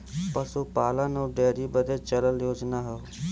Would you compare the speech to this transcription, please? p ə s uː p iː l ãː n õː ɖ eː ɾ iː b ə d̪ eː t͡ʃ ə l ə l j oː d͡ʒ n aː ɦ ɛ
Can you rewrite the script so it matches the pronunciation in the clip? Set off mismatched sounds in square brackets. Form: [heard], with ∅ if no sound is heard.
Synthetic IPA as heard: p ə s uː p [aː] l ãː n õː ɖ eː ɾ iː b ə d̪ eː t͡ʃ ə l ə l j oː d͡ʒ n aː ɦ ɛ